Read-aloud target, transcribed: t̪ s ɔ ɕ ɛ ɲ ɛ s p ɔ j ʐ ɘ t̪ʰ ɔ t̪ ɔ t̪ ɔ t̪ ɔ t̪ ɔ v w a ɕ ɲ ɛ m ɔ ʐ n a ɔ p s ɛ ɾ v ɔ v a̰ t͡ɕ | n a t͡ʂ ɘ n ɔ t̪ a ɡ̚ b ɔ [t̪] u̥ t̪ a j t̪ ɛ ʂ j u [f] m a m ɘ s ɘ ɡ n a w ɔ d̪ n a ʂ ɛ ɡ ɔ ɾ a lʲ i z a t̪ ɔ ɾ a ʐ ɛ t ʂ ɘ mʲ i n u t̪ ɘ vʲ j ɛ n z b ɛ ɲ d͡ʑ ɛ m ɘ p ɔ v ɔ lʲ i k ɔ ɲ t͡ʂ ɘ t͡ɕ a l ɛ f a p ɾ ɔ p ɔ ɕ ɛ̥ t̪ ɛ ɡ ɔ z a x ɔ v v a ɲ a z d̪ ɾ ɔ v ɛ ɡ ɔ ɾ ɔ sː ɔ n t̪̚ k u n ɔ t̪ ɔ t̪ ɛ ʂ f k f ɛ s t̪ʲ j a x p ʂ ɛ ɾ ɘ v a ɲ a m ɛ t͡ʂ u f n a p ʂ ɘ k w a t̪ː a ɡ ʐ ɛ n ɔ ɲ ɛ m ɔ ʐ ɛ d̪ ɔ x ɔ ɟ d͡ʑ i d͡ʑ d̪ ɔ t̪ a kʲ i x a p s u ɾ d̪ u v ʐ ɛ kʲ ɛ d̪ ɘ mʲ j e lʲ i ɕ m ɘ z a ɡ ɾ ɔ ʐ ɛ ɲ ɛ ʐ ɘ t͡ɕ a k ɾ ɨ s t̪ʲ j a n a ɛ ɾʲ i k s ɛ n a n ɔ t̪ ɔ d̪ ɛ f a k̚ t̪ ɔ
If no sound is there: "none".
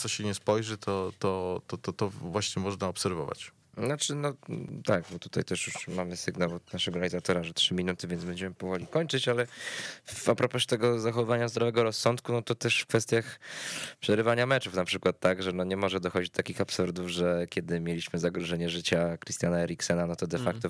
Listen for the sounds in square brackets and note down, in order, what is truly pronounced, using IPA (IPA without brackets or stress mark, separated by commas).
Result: t̪, ʂ